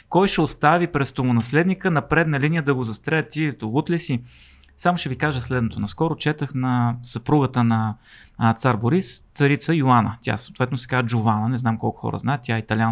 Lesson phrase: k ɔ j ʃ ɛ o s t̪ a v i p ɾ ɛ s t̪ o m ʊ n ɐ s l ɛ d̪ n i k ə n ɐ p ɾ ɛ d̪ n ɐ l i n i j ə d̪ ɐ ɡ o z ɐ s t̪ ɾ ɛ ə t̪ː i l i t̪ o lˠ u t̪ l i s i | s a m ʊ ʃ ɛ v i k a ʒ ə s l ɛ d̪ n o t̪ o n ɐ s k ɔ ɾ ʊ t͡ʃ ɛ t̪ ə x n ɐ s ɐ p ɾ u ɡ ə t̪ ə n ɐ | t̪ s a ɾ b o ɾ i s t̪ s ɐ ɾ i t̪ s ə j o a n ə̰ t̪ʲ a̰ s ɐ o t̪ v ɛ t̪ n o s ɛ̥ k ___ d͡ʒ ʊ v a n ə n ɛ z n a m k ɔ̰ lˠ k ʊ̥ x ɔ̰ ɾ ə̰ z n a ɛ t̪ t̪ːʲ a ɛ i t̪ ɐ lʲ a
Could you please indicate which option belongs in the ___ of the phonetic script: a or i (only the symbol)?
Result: a